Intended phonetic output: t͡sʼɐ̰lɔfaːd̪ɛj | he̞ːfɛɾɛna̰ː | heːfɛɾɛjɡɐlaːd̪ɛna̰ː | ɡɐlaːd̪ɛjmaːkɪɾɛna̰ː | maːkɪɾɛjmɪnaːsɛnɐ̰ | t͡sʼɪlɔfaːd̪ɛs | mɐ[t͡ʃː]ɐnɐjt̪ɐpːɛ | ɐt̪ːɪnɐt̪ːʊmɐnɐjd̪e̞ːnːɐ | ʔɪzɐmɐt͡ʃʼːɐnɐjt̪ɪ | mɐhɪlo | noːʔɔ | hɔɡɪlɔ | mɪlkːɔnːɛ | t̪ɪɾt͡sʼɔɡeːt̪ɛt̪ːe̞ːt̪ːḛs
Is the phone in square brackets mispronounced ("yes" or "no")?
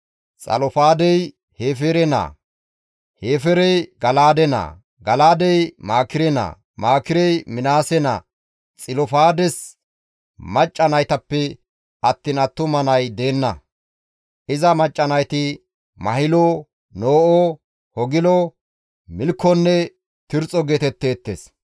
yes